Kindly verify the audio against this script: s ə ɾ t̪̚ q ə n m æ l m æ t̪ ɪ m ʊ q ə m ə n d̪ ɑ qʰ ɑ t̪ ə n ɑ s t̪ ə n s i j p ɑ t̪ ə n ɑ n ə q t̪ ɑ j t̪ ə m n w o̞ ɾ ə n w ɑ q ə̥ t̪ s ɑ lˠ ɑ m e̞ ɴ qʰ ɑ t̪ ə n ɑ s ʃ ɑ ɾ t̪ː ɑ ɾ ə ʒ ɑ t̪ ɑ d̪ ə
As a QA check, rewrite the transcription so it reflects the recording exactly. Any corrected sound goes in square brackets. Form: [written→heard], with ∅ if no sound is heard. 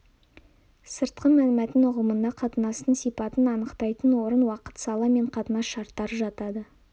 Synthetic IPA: s ə ɾ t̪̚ q ə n m æ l m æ t̪ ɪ [m→n] ʊ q ə m ə n d̪ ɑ qʰ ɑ t̪ ə n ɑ s t̪ ə n s i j p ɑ t̪ ə n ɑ n ə q t̪ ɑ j t̪ ə [m→∅] n w o̞ ɾ ə n w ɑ q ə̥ t̪ s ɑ lˠ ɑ m e̞ ɴ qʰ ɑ t̪ ə n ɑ s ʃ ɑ ɾ t̪ː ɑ ɾ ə ʒ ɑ t̪ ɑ d̪ ə